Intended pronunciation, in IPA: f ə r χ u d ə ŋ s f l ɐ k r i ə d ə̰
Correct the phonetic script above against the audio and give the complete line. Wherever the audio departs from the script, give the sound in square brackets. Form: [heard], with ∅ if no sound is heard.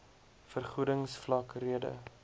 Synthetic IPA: f ə r χ u d ə ŋ s f l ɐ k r i ə d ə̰

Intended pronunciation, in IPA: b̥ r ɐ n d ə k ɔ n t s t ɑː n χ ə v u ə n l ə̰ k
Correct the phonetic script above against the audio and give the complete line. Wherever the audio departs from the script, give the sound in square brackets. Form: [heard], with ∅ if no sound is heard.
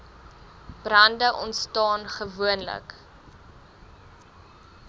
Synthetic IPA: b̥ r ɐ n d ə [ʔ] ɔ n t s t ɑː n χ ə v u ə n l ə̰ k

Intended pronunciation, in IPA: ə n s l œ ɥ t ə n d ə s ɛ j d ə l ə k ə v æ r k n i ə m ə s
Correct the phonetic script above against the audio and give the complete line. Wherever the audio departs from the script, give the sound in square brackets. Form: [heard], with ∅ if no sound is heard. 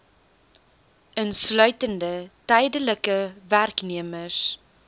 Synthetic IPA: ə n s l œ ɥ t ə n d ə [t] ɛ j d ə l ə k ə v æ r k n i ə m ə s

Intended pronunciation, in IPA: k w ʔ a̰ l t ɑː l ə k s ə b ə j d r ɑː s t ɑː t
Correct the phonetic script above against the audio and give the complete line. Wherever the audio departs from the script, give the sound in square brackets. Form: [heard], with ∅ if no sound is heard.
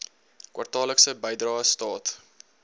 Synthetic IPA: k w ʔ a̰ [r] t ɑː l ə k s ə b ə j d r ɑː s t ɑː t

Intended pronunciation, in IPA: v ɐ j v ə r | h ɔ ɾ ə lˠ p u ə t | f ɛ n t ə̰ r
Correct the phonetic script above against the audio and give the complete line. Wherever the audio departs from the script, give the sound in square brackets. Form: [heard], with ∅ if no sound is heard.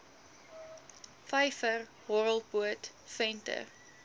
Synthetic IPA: [f] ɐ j [f] ə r | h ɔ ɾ ə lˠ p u ə t | f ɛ n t ə̰ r

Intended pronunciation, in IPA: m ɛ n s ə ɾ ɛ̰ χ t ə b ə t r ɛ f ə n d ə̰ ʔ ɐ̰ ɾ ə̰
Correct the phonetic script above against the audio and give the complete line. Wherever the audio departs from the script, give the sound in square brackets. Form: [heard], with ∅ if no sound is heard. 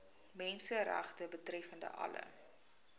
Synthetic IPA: m ɛ n s ə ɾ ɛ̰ χ t ə b ə t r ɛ f ə n d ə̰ ʔ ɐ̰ [l] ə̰

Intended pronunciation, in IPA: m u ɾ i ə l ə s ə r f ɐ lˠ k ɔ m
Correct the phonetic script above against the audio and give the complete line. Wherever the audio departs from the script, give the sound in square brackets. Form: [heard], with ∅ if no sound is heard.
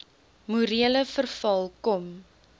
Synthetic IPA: m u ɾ i ə l ə [f] ə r f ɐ lˠ k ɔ m

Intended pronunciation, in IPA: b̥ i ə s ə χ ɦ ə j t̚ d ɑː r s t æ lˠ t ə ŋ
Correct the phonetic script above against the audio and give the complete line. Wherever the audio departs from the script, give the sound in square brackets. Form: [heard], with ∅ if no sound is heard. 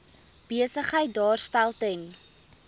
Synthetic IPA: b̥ i ə s ə χ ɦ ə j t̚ d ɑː r s t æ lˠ t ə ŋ

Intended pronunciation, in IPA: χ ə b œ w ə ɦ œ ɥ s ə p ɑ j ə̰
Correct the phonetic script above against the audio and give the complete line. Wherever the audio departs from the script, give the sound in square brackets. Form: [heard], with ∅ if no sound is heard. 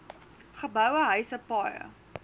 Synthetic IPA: χ ə b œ w ə ɦ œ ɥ s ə p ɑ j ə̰

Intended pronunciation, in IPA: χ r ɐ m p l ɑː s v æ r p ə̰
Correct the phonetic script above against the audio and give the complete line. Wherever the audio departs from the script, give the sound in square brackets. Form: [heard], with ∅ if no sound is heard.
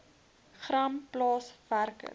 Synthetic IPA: χ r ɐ m p l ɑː s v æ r [k] ə̰

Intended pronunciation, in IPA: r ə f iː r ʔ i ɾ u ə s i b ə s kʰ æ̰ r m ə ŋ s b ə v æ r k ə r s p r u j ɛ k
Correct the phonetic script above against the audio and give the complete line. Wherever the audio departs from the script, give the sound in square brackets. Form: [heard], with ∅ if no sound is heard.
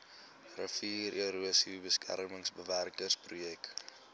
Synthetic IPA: r ə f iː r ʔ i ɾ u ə s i b ə s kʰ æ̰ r m ə ŋ s b ə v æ r k ə r s p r u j ɛ k

